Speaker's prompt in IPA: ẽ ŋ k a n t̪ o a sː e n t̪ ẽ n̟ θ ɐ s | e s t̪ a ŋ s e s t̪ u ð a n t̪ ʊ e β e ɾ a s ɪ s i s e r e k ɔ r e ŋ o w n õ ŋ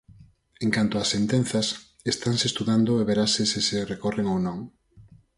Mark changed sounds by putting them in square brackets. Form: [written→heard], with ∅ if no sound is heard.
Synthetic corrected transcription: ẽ ŋ k a n t̪ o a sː e n t̪ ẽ n̟ θ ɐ s | e s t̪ a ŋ s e s t̪ u ð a n [t̪→d̪] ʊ e β e ɾ a s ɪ s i s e r e k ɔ r e ŋ o w n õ ŋ